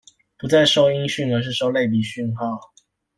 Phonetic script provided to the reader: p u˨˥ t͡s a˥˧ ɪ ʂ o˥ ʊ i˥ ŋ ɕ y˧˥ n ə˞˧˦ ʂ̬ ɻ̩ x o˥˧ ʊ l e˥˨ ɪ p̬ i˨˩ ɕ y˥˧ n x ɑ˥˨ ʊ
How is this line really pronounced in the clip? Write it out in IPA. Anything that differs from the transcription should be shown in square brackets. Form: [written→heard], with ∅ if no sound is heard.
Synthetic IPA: p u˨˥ t͡s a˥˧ ɪ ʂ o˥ ʊ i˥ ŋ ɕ [y˧˥→y˥˩] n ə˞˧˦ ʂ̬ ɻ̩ [x→ʂ] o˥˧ ʊ l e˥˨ ɪ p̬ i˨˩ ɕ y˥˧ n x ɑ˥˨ ʊ